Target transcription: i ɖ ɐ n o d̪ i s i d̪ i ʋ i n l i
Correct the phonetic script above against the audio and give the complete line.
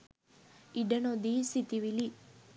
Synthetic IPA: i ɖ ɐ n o d̪ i s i t̪ i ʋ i l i